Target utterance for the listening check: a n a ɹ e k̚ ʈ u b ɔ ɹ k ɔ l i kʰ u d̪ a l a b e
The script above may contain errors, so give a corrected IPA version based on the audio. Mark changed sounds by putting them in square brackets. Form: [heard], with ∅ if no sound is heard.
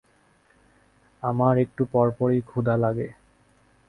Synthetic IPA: a [m] a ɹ e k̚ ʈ u [p] ɔ ɹ [p] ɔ [ɹ] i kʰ u d̪ a l a [ɡ] e